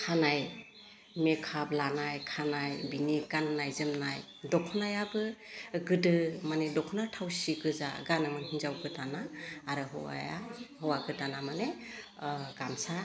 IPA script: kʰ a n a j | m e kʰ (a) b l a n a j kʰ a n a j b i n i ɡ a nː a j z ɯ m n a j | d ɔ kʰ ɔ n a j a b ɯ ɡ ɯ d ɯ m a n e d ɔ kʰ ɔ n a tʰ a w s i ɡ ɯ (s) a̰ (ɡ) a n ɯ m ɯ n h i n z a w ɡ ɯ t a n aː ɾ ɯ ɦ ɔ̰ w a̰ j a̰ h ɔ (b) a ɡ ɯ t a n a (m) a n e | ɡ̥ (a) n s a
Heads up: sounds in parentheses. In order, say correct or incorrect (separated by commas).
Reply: correct, incorrect, correct, incorrect, correct, correct